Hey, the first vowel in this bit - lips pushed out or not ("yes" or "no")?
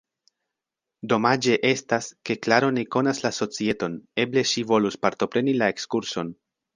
yes